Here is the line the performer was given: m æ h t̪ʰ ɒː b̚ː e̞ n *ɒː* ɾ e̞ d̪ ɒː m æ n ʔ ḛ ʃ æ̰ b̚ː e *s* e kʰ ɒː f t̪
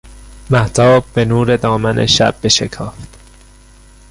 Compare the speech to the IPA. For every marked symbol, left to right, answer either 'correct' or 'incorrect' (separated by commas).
incorrect, incorrect